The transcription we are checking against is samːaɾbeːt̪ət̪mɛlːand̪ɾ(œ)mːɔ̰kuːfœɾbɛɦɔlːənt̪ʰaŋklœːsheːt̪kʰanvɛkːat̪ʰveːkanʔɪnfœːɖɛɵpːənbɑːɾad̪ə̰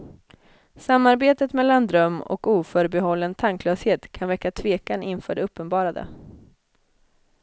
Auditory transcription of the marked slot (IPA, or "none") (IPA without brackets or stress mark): œ